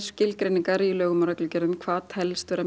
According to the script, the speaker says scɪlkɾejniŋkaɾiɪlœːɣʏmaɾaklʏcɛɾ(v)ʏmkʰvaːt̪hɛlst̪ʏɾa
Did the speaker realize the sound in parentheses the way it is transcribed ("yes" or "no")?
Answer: no